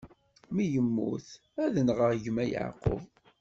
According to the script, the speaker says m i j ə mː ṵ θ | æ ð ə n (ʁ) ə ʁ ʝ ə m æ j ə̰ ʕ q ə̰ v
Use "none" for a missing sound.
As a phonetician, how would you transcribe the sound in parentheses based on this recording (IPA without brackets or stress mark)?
ʁ